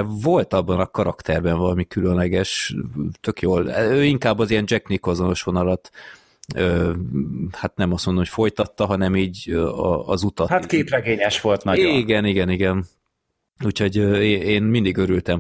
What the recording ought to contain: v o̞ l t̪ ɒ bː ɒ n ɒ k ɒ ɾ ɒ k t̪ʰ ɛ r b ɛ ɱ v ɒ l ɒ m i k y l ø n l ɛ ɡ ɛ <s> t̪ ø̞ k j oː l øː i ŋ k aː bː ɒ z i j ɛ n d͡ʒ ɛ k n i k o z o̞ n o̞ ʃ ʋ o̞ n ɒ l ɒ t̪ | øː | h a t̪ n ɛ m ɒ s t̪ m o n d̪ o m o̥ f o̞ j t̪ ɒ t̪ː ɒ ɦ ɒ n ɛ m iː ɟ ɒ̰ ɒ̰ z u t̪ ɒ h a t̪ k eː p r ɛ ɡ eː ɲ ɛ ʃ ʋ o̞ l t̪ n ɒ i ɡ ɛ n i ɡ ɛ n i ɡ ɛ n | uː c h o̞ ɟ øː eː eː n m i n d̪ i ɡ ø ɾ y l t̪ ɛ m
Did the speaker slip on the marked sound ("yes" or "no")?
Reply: yes